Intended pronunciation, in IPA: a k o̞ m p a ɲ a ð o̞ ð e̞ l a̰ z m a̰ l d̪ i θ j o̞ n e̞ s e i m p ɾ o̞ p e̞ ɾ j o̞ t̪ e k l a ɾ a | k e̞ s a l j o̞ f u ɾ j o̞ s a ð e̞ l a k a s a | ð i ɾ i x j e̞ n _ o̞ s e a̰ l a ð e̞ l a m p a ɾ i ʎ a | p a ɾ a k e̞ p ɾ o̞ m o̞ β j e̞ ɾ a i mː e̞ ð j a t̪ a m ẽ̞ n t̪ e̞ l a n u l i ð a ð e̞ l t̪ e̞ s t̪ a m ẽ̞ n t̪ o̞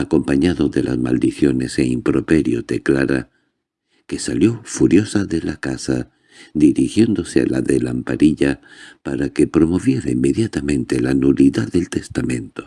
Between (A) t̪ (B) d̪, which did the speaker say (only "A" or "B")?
B